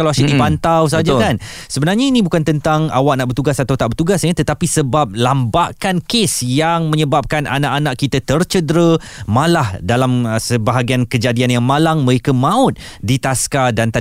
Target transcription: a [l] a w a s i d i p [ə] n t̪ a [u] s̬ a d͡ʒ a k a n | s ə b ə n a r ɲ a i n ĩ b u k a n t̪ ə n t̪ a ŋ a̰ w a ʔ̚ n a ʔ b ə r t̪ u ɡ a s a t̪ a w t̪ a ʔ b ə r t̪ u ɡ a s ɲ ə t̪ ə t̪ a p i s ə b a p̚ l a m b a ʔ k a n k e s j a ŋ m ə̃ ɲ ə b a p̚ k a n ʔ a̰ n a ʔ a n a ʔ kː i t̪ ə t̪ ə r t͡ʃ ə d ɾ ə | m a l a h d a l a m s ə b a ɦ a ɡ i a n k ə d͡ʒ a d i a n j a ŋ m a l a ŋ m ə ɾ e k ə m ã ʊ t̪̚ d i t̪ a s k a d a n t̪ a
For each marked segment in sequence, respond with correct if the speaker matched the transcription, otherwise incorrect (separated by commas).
correct, incorrect, incorrect